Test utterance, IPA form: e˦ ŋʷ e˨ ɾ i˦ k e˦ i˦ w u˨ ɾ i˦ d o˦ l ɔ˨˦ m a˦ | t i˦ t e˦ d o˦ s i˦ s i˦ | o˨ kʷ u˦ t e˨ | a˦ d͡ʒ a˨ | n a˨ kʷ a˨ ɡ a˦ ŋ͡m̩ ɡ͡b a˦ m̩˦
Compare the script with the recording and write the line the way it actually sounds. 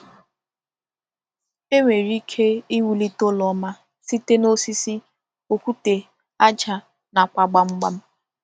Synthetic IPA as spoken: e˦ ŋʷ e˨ ɾ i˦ kʰ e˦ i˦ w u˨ l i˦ t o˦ l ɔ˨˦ m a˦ | s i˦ t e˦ n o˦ s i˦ s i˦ | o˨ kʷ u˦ t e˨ | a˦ d͡ʒ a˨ | n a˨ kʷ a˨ ɡ͡b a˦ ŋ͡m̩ ɡ͡b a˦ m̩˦

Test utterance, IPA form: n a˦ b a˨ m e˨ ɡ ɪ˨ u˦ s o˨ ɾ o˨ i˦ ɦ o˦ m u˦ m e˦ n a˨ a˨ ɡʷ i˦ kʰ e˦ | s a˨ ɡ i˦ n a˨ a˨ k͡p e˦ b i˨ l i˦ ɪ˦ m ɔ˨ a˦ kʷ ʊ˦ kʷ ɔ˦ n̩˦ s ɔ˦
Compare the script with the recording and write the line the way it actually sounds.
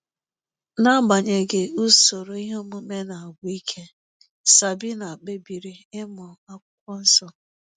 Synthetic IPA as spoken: n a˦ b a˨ ɲ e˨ ɡ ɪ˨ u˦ s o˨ ɾ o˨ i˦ ɦ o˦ m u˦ m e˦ n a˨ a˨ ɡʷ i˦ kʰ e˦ | s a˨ b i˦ n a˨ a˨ k͡p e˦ b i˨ ɾ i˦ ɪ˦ m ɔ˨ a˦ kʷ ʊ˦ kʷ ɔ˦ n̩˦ s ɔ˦

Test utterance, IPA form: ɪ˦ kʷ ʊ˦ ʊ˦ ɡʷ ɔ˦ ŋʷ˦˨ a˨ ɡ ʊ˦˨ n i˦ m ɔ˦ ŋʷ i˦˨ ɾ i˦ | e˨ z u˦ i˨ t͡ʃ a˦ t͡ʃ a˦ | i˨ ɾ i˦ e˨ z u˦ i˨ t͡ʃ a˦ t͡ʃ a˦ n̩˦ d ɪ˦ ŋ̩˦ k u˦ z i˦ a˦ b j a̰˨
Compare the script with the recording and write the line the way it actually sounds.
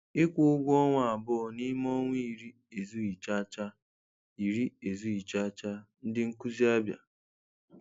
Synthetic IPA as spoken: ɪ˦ kʷ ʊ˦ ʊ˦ ɡʷ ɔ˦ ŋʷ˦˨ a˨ b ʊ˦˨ n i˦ m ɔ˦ ŋʷ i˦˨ ɾ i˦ | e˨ z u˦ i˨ t͡ʃ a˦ t͡ʃ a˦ | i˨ ɾ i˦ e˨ z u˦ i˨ t͡ʃ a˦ t͡ʃ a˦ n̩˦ d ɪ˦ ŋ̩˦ k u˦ z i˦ a˦ b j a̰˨

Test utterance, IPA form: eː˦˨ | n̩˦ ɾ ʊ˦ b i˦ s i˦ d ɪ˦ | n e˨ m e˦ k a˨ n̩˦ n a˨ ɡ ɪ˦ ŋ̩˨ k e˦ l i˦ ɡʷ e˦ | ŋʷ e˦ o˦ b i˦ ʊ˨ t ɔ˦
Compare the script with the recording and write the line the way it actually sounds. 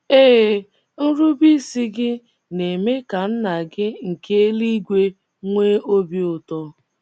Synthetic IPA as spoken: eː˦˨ | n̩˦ ɾ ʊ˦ b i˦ s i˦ ɡ ɪ˦ | n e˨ m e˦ k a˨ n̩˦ n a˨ ɡ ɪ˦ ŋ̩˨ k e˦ l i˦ ɡʷ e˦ | ŋʷ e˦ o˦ b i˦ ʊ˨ t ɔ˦

